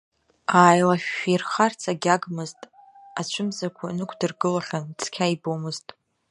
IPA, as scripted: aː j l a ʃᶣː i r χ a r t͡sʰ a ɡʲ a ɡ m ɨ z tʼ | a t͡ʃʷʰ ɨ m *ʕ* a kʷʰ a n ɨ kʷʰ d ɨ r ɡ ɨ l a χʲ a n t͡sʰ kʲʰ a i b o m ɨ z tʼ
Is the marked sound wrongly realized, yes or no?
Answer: yes